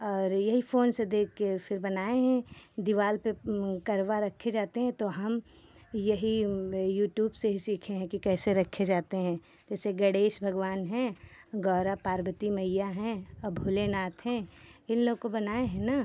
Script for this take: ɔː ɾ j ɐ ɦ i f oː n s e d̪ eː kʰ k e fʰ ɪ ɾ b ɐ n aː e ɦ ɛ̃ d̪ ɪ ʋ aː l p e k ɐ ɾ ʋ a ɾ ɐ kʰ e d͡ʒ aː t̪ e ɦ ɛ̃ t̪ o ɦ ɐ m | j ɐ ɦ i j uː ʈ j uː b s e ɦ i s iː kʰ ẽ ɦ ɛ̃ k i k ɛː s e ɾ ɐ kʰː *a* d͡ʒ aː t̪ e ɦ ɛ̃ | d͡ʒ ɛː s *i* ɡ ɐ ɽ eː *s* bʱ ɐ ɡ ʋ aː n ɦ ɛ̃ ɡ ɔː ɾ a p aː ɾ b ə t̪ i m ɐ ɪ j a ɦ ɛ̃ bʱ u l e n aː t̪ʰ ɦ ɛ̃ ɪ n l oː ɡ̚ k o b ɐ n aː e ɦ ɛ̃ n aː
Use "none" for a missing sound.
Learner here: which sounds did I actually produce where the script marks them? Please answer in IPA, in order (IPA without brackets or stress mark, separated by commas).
e, e, ʃ